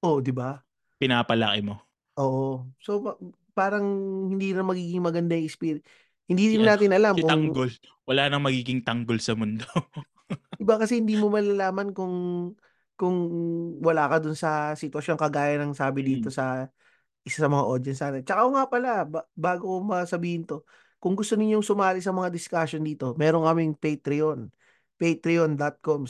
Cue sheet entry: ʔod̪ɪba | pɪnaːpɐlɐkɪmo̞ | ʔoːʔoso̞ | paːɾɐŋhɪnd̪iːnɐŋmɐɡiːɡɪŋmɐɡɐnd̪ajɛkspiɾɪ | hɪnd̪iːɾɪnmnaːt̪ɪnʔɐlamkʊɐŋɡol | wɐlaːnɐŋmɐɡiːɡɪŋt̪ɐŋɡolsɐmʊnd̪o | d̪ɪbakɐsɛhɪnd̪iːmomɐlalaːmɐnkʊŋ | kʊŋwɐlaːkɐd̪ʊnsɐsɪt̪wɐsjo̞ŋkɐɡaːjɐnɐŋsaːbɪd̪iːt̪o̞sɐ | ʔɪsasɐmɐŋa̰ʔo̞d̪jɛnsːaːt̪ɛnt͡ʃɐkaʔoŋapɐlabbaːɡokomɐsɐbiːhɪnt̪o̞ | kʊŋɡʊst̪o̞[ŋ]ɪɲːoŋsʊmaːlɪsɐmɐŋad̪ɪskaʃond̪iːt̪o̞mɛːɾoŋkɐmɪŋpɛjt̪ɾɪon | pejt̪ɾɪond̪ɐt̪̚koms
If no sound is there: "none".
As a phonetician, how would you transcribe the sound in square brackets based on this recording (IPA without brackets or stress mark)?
n